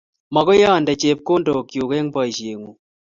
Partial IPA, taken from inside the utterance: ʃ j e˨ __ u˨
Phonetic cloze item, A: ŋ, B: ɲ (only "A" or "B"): A